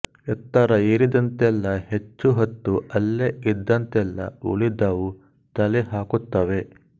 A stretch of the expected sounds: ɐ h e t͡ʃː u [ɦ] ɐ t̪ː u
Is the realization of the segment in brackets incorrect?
no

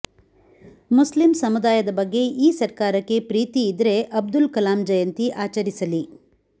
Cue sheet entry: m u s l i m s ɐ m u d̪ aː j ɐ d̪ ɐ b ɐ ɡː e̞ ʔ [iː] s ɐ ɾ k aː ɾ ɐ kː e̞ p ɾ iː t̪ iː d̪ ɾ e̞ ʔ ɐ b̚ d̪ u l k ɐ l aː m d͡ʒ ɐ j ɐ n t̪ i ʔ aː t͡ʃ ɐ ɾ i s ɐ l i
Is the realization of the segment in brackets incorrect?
no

